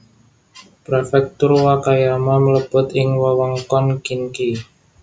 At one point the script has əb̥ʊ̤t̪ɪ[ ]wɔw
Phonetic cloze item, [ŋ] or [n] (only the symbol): ŋ